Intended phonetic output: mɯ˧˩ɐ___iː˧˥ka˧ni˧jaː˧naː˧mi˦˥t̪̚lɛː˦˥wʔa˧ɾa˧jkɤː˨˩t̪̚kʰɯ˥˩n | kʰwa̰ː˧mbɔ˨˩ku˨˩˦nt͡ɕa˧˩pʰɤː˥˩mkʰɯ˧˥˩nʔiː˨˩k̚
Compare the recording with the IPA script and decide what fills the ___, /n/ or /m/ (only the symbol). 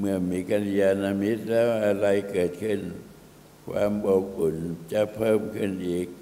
m